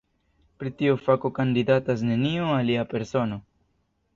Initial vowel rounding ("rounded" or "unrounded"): unrounded